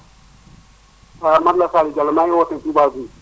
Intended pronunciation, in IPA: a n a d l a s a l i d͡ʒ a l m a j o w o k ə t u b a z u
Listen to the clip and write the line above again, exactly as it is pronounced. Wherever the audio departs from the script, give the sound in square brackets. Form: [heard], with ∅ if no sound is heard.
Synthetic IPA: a [m] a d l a s a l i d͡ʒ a l m a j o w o [t] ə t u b a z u